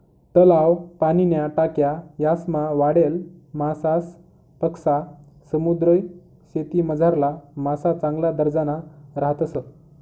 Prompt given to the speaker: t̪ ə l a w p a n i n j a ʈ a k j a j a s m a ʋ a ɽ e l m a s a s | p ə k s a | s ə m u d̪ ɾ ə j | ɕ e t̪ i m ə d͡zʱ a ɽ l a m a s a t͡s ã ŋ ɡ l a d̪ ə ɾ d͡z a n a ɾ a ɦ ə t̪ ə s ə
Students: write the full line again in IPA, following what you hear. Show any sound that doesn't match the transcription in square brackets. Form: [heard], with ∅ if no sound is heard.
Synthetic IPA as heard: t̪ ə l a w p a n i n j a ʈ a k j a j a s m a ʋ a ɽ e l m a s a s | p ə k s a | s ə m u d̪ ɾ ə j | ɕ e t̪ i m ə d͡zʱ a [ɾ] l a m a s a t͡s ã ŋ ɡ l a d̪ ə ɾ d͡z a n a ɾ a ɦ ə t̪ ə s ə